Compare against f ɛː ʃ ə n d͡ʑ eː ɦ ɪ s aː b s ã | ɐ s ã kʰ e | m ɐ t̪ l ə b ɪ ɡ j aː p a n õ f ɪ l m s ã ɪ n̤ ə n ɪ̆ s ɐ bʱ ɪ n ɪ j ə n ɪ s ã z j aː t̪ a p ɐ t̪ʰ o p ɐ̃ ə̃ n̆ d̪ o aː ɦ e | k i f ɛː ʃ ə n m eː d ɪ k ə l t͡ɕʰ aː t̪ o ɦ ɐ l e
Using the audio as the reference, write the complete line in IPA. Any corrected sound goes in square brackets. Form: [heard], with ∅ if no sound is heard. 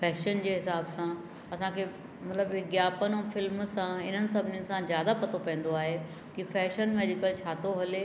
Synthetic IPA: f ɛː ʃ ə n d͡ʑ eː ɦ ɪ s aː b s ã | ɐ s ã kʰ e | m ɐ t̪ l ə b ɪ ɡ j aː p [ə] n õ f ɪ l m s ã ɪ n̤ ə n ɪ̆ s ɐ bʱ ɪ n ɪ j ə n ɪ s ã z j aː [d̪] a p ɐ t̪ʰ o p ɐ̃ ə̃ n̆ d̪ o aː ɦ e | k i f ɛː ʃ ə n m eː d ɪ k ə l t͡ɕʰ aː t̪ o ɦ ɐ l e

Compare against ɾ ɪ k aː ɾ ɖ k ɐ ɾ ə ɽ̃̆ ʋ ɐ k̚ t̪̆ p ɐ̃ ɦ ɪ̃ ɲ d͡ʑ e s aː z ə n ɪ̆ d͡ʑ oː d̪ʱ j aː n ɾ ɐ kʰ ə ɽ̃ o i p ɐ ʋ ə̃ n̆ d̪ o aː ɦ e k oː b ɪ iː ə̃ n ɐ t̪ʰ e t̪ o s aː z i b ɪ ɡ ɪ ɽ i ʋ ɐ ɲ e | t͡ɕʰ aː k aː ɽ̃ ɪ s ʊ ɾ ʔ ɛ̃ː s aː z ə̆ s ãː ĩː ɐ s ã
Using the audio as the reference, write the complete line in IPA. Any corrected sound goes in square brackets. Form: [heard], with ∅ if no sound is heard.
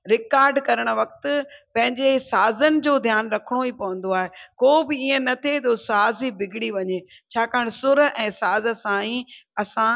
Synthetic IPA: ɾ ɪ k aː ɾ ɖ k ɐ ɾ ə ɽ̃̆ ʋ ɐ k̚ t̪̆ p ɐ̃ ɦ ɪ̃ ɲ d͡ʑ e s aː z ə n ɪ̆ d͡ʑ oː d̪ʱ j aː n ɾ ɐ kʰ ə ɽ̃ o i p ɐ ʋ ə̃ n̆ d̪ o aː ɦ e k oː b ɪ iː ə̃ n ɐ t̪ʰ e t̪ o s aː z i b ɪ ɡ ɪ ɽ i ʋ ɐ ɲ e | t͡ɕʰ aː k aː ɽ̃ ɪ s ʊ ɾ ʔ ɛ̃ː s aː z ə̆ s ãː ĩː ɐ s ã

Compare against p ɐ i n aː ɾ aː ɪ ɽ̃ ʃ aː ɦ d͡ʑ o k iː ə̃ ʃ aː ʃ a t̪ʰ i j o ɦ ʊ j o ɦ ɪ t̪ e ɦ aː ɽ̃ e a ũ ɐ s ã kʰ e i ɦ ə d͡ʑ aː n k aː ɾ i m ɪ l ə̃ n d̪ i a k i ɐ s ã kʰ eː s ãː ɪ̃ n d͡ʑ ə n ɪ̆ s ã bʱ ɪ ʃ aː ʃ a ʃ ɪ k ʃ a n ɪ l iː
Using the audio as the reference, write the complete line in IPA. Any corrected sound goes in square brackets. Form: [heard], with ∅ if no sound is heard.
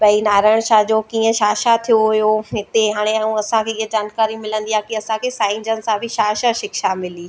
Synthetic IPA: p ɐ i n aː ɾ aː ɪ ɽ̃ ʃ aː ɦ d͡ʑ o k iː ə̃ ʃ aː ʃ a t̪ʰ i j o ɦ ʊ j o ɦ ɪ t̪ e ɦ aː ɽ̃ e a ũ ɐ s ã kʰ e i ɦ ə d͡ʑ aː n k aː ɾ i m ɪ l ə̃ n d̪ i a k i ɐ s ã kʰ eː s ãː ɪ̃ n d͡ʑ ə n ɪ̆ s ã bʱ ɪ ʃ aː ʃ a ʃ ɪ k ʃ a [m] ɪ l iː

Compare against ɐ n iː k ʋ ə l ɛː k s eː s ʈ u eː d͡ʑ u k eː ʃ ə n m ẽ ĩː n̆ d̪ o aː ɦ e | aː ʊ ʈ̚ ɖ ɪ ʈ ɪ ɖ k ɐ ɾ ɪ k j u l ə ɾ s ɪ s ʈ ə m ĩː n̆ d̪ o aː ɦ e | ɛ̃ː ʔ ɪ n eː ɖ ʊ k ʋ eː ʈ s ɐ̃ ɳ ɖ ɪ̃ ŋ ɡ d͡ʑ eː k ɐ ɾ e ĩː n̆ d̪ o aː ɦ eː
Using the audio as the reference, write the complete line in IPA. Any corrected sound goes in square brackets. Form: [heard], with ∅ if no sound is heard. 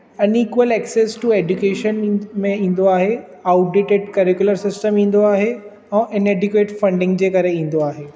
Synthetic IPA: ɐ n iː k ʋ ə l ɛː k s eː s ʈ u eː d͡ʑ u k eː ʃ ə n m ẽ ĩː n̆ d̪ o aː ɦ e | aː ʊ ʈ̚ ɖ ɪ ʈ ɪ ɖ k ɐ ɾ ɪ k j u l ə ɾ s ɪ s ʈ ə m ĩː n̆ d̪ o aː ɦ e | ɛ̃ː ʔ ɪ n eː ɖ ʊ k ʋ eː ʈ [f] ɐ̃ ɳ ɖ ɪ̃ ŋ ɡ d͡ʑ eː k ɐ ɾ e ĩː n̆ d̪ o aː ɦ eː

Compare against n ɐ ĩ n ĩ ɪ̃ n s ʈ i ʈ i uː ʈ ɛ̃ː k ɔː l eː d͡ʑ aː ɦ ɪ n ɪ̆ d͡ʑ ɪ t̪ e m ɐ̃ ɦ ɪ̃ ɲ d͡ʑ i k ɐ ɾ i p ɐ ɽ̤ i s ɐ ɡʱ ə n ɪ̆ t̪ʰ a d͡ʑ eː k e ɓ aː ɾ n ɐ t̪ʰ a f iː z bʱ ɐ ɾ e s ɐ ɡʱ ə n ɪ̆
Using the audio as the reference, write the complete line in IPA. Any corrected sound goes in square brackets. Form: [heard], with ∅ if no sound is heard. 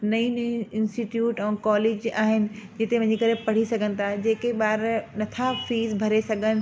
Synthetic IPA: n ɐ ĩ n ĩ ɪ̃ n s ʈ i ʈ [j] uː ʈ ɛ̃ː k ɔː l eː d͡ʑ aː ɦ ɪ n ɪ̆ d͡ʑ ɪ t̪ e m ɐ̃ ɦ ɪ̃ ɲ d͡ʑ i k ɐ ɾ [e] p ɐ ɽ̤ i s ɐ ɡʱ ə n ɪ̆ t̪ʰ a d͡ʑ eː k e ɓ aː ɾ n ɐ t̪ʰ a f iː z bʱ ɐ ɾ e s ɐ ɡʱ ə n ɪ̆

